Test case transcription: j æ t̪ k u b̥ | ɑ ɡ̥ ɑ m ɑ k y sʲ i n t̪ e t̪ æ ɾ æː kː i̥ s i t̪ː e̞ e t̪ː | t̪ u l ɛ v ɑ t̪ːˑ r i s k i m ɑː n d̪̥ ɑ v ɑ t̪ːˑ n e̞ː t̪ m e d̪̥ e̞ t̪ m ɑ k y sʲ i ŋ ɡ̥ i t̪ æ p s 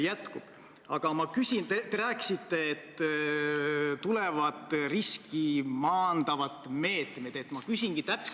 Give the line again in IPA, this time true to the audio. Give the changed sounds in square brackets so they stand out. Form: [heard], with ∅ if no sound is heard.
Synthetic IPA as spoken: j æ t̪ k u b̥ | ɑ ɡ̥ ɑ m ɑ k y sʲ i n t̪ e t̪ [e] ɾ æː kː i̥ s i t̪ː e̞ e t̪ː | t̪ u l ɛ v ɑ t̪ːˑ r i s k i m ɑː n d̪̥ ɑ v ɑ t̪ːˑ [m] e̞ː t̪ m e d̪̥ e̞ t̪ m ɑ k y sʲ i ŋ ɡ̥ i t̪ æ p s